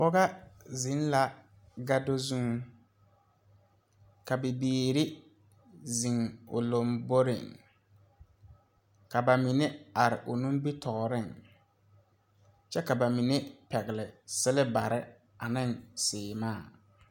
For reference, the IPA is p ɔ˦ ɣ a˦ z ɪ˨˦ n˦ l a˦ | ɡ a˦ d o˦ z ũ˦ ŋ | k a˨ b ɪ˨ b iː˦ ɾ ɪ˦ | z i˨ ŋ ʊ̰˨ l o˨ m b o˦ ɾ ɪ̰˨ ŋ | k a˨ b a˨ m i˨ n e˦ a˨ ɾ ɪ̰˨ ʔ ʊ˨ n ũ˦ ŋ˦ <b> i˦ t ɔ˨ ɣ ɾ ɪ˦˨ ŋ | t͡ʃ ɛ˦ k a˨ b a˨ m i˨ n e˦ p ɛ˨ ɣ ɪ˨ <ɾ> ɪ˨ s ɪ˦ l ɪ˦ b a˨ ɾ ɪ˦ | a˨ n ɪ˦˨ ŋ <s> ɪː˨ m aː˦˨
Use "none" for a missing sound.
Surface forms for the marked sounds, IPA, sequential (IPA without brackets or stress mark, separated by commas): b, l, s